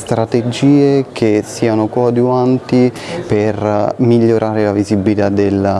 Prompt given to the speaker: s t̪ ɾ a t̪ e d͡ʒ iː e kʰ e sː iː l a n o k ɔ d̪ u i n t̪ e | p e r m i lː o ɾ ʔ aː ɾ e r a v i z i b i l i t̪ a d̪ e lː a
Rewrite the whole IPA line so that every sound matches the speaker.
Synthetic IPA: s t̪ ɾ a t̪ e d͡ʒ iː e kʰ e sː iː a n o k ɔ d̪ u a n t̪ i | p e r m i ʎː o ɾ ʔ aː ɾ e l a v i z i b i l i t̪ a d̪ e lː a